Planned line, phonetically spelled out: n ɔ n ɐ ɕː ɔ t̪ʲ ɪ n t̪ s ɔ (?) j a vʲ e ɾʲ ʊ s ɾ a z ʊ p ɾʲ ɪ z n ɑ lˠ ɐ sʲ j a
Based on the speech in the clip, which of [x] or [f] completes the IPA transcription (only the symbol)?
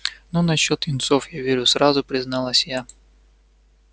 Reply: f